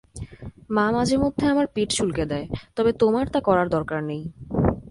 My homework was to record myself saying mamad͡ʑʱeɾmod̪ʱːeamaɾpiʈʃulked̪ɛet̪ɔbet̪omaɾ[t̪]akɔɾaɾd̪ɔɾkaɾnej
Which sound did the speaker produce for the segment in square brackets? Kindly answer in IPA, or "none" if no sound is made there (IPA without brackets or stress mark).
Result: t̪